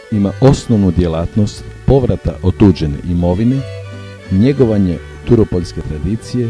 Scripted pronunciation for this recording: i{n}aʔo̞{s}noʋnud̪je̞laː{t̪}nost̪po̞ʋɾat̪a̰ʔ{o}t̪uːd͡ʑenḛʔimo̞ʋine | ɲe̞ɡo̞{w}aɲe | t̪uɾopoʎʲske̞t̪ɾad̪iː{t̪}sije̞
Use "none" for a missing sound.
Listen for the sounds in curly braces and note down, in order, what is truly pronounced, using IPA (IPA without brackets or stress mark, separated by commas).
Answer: m, s, t̪, o, ʋ, t̪